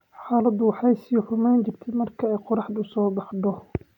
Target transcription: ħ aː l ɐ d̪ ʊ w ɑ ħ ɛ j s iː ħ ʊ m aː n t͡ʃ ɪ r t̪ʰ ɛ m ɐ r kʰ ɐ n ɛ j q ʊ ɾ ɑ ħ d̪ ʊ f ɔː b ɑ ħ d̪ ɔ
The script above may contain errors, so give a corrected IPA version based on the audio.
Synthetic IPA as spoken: ħ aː l ɐ d̪ ʊ w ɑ ħ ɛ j s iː ħ ʊ m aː n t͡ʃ ɪ r t̪ʰ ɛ m ɐ r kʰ ɐ ɛ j q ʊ ɾ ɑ ħ d̪ ʊ s ɔː b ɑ ħ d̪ ɔ